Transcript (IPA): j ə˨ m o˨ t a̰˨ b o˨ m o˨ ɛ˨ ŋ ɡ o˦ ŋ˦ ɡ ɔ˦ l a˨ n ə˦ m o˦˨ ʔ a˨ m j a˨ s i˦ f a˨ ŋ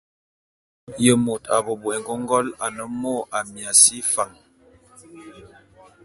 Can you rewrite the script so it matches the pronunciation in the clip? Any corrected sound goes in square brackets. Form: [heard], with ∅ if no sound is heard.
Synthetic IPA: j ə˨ m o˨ t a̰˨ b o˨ [b] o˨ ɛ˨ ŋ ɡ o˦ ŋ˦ ɡ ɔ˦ l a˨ n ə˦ m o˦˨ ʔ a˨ m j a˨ s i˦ f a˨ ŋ